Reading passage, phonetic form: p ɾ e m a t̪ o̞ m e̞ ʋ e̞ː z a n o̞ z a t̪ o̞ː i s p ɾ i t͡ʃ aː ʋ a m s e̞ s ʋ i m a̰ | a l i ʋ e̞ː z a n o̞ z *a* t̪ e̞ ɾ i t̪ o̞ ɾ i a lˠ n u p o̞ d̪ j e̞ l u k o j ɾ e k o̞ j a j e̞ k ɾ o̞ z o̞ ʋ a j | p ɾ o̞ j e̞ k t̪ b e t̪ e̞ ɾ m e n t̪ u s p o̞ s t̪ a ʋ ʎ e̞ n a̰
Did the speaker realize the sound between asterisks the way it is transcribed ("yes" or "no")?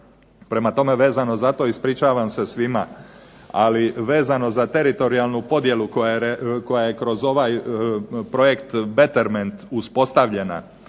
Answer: yes